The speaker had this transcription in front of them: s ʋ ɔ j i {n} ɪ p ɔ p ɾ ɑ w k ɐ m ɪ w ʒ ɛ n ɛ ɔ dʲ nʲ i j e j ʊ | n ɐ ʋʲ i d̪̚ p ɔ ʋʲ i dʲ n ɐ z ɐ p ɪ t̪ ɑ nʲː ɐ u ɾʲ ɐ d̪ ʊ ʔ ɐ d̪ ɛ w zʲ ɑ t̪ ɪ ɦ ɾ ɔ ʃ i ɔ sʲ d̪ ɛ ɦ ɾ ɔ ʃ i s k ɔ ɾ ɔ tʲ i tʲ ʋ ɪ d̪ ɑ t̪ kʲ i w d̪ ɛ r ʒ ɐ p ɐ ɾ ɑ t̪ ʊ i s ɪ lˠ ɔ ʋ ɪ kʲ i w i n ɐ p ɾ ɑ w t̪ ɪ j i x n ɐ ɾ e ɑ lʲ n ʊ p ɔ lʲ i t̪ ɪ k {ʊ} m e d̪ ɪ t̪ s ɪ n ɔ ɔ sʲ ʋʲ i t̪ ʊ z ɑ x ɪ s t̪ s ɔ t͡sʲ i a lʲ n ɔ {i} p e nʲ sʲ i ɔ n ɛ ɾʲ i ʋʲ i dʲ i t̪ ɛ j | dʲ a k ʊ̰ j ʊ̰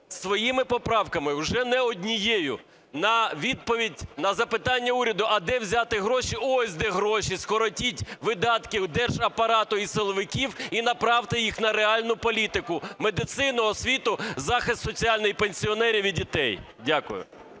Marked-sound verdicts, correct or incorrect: incorrect, correct, incorrect

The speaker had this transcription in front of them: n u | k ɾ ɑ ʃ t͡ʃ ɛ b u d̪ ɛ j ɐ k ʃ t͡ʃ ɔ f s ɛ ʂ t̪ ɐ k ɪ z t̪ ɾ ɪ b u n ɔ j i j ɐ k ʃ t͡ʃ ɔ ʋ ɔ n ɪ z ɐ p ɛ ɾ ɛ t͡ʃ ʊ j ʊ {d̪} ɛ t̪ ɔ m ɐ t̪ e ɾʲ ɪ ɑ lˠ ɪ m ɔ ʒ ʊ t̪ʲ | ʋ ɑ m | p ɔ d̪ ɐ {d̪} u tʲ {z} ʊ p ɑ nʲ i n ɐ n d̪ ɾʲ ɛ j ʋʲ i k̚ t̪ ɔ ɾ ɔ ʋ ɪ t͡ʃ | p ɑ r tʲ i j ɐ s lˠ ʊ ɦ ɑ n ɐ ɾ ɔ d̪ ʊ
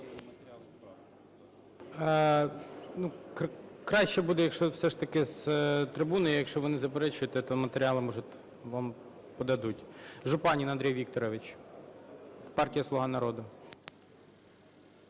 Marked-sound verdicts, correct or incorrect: incorrect, correct, incorrect

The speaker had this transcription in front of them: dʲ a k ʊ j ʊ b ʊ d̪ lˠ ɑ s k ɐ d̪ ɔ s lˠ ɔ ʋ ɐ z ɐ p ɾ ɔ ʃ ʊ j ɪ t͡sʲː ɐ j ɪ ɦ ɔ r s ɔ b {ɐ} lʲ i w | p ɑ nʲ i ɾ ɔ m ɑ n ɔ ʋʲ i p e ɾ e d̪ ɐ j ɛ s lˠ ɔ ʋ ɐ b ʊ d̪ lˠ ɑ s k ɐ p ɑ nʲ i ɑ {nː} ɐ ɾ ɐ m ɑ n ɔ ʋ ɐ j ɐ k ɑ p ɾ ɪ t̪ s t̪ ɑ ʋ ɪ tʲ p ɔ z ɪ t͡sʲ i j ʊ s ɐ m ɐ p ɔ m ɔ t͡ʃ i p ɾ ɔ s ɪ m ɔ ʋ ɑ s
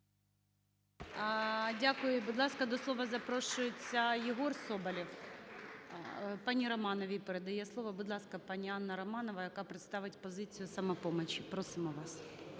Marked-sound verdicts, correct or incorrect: correct, correct

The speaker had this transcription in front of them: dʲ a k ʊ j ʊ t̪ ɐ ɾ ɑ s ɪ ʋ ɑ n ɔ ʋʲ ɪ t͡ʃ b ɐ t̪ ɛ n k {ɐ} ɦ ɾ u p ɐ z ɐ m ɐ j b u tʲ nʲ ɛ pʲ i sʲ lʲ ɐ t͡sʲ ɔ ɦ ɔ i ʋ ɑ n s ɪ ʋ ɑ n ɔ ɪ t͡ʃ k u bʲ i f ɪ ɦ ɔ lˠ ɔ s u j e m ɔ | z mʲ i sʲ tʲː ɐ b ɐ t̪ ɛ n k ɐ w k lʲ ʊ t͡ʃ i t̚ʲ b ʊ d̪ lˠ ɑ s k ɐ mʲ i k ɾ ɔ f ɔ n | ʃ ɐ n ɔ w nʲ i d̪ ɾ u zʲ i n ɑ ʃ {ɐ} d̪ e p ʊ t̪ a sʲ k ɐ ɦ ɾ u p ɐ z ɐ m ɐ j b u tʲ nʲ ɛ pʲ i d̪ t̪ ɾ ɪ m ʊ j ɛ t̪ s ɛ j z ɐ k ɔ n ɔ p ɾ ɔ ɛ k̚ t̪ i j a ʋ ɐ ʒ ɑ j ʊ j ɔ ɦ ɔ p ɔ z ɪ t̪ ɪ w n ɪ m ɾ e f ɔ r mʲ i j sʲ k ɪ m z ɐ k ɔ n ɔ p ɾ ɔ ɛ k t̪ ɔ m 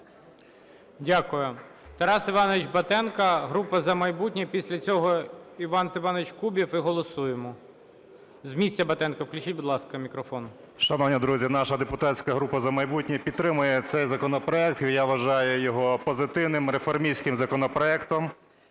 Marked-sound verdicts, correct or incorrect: correct, correct

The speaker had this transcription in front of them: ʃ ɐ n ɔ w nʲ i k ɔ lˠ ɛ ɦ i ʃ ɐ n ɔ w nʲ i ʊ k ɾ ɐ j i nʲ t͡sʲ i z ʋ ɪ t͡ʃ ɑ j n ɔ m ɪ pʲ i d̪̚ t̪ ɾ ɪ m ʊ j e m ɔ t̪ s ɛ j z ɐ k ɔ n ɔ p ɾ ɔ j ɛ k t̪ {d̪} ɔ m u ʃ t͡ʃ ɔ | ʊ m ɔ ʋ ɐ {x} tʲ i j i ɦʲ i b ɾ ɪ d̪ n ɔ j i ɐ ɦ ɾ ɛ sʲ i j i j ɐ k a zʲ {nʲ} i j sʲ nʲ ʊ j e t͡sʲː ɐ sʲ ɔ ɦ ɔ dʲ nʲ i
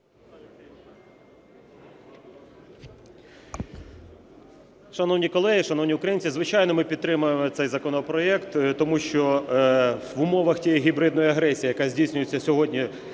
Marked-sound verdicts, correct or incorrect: incorrect, correct, incorrect

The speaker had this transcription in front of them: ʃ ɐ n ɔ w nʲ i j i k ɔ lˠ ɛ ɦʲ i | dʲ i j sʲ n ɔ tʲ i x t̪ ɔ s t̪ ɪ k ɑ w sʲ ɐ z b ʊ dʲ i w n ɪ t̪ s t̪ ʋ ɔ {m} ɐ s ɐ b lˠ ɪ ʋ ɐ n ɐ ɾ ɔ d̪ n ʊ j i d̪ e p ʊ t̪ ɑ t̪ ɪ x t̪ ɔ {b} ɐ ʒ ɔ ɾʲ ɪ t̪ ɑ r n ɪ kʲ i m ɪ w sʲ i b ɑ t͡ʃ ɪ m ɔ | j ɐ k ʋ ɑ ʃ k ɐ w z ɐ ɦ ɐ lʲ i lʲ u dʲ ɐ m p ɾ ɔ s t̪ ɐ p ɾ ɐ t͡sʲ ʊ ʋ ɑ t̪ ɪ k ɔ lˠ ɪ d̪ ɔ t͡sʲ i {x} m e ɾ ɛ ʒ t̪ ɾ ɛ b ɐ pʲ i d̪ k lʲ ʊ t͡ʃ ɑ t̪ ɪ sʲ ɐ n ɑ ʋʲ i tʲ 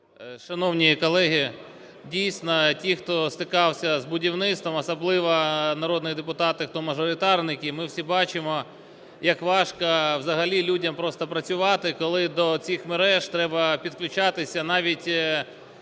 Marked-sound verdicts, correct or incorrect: correct, incorrect, correct

